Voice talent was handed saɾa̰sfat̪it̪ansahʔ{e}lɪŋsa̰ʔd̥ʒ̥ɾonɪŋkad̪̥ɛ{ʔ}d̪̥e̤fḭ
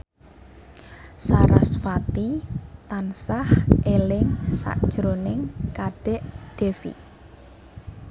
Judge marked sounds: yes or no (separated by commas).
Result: yes, yes